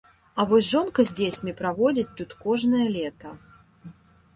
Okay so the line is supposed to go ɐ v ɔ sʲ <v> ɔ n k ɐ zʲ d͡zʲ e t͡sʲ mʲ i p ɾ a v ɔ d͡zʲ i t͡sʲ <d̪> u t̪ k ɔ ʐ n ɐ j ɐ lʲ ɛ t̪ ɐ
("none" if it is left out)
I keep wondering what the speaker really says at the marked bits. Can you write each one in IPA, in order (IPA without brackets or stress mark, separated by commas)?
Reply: ʐ, t̪